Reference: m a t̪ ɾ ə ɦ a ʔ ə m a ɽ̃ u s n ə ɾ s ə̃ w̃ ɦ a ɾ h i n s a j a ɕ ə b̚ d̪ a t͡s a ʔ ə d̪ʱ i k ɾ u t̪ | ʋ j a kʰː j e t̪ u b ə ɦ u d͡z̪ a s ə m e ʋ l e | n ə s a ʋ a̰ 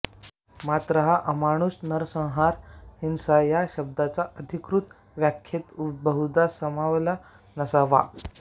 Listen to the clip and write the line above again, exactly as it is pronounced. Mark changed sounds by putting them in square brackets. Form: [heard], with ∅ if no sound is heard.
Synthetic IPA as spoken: m a t̪ ɾ ə ɦ a ʔ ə m a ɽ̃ u s n ə ɾ s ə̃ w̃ ɦ a ɾ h i n s a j a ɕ ə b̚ d̪ a t͡s a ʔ ə d̪ʱ i k ɾ u t̪ | ʋ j a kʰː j e t̪ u b ə ɦ u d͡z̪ a s ə m [a] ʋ l [a] | n ə s a ʋ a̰